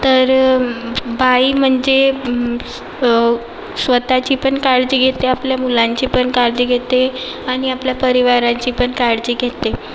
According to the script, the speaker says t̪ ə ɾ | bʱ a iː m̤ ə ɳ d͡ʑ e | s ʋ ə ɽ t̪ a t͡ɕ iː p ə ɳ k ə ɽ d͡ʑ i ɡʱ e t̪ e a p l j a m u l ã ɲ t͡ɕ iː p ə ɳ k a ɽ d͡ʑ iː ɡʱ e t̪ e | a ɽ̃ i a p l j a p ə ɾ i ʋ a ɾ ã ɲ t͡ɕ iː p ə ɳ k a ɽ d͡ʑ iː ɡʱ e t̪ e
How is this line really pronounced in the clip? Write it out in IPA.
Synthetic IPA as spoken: t̪ ə ɾ | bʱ a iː m̤ ə ɳ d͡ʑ e | s ʋ ə t̪ a t͡ɕ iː p ə ɳ k a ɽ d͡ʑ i ɡʱ e t̪ e a p l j a m u l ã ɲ t͡ɕ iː p ə ɳ k a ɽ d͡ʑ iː ɡʱ e t̪ e | a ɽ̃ i a p l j a p ə ɾ i ʋ a ɾ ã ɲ t͡ɕ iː p ə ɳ k a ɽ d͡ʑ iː ɡʱ e t̪ e